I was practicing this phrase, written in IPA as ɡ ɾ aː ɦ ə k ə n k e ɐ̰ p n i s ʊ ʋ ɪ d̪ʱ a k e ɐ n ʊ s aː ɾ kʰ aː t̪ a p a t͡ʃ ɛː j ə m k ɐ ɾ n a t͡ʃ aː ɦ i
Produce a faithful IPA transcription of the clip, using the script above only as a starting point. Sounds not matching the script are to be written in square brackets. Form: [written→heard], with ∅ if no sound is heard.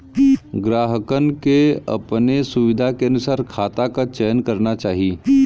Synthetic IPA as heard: ɡ ɾ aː ɦ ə k ə n k e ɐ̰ p n [i→e] s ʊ ʋ ɪ d̪ʱ a k e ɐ n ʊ s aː ɾ kʰ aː t̪ a [p→k] a t͡ʃ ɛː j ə [m→n] k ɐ ɾ n a t͡ʃ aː ɦ i